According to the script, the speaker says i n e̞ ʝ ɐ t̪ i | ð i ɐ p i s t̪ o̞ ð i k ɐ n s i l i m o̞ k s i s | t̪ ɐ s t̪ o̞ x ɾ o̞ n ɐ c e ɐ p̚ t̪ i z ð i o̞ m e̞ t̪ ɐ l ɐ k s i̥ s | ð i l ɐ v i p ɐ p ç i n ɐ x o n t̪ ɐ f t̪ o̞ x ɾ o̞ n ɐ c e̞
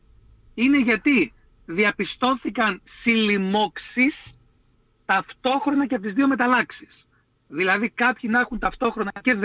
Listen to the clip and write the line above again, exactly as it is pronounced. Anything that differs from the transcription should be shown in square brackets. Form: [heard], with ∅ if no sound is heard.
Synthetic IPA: i n e̞ ʝ ɐ t̪ i | ð i ɐ p i s t̪ o̞ [θ] i k ɐ n s i l i m o̞ k s i s | t̪ ɐ [f] t̪ o̞ x ɾ o̞ n ɐ c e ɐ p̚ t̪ i z ð i o̞ m e̞ t̪ ɐ l ɐ k s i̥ s | ð i l ɐ [ð] i [k] ɐ p ç i n ɐ x [u] n t̪ ɐ f t̪ o̞ x ɾ o̞ n ɐ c e̞